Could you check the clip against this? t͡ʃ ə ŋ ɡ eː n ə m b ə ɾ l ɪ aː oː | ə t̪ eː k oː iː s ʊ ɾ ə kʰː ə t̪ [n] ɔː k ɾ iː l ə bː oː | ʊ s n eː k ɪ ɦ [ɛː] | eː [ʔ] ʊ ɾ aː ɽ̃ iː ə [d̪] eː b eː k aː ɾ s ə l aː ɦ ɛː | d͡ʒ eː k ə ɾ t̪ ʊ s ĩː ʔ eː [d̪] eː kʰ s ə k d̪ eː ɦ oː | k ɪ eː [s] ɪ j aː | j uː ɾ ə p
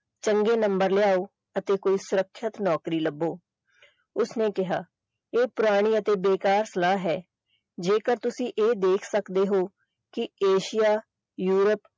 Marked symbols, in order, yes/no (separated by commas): yes, no, no, no, yes, no